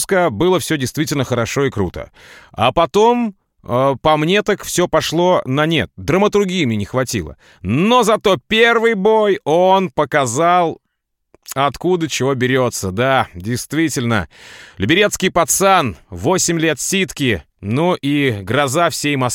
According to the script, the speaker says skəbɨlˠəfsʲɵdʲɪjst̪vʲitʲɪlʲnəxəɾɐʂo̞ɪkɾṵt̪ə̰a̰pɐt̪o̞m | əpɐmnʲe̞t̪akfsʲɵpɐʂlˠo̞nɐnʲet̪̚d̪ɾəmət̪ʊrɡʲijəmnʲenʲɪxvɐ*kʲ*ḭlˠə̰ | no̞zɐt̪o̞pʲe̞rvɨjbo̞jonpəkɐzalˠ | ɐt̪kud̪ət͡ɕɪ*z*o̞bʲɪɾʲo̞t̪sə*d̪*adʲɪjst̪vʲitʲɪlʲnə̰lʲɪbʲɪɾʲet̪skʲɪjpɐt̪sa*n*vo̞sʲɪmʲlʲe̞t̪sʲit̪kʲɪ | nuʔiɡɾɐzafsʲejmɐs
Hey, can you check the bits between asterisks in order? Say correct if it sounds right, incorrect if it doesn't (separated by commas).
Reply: incorrect, incorrect, correct, correct